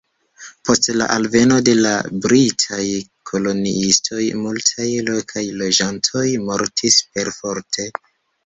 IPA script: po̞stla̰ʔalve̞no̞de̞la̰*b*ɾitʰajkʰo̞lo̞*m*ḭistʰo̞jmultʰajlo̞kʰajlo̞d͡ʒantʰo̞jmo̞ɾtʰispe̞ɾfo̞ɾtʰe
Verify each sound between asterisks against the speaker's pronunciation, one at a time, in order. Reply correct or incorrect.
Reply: correct, incorrect: n

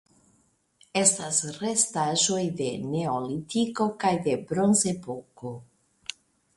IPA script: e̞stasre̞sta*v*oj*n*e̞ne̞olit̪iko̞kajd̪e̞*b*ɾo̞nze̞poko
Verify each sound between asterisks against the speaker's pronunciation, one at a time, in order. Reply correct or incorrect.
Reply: incorrect: ʒ, incorrect: d, correct

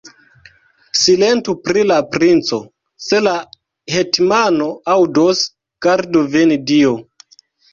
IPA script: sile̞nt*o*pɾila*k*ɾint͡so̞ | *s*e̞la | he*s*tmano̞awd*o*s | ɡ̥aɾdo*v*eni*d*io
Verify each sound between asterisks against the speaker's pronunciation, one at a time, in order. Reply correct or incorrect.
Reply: incorrect: u, incorrect: p, correct, incorrect: none, correct, correct, correct

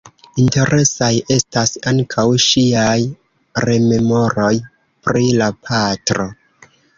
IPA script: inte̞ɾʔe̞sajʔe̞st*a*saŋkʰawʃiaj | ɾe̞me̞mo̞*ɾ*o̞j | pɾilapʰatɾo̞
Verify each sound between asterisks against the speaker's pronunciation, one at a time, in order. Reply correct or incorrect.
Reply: correct, correct

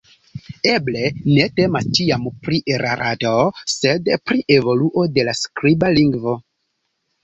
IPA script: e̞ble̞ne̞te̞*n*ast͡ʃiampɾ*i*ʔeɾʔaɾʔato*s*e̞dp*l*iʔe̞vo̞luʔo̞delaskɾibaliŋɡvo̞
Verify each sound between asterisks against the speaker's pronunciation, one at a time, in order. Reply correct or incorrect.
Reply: incorrect: m, correct, correct, incorrect: ɾ

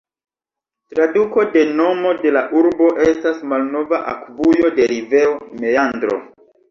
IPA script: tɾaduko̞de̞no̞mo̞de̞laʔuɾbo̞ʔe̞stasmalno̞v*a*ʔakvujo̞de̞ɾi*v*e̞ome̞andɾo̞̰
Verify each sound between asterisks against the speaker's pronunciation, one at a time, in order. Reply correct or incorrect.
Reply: correct, correct

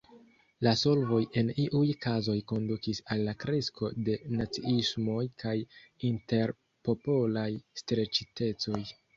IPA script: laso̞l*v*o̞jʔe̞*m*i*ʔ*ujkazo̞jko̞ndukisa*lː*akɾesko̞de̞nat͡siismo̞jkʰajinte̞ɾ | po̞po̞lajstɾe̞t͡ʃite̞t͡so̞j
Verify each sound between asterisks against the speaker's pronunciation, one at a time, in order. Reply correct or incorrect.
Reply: correct, incorrect: n, correct, correct

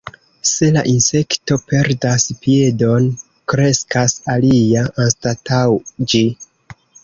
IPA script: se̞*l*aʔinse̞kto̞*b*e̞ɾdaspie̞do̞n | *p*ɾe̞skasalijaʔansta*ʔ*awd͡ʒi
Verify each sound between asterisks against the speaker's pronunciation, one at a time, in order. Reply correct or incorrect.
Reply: correct, incorrect: p, incorrect: k, incorrect: t

